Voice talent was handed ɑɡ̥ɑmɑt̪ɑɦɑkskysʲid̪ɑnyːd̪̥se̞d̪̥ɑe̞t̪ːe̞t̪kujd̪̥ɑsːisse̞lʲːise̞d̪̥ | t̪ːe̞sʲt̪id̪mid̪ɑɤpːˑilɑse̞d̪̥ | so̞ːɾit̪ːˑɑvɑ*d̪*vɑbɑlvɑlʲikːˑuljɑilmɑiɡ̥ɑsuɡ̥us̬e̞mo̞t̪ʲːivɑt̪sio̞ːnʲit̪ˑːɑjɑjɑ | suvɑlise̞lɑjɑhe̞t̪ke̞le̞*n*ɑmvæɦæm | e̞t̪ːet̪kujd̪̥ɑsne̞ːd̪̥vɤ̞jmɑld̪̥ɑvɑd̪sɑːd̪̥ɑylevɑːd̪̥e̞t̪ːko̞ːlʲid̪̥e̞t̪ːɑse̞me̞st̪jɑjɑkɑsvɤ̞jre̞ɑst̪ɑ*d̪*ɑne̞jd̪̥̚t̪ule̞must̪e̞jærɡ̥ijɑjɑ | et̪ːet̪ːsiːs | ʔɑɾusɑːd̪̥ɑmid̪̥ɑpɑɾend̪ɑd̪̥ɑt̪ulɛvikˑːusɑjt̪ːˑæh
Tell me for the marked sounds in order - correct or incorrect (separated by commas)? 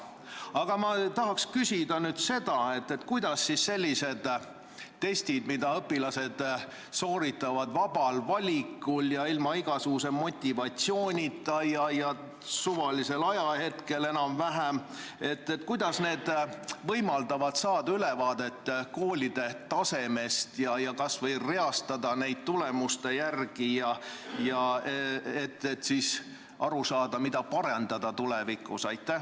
correct, correct, correct